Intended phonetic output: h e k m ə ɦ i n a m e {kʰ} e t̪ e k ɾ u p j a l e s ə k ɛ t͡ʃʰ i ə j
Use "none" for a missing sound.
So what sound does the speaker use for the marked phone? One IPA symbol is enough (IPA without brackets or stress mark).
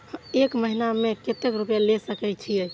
k